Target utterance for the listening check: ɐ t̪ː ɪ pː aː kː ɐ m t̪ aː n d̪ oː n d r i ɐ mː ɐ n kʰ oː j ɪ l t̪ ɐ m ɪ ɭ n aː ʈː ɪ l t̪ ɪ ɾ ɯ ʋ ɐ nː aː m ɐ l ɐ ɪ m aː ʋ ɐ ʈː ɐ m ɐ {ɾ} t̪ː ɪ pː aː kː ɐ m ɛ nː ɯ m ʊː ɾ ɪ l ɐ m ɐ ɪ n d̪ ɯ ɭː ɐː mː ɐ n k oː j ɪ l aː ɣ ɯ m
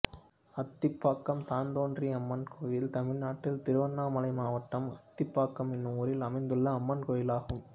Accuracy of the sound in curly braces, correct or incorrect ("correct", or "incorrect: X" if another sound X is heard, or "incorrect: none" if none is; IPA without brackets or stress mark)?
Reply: incorrect: none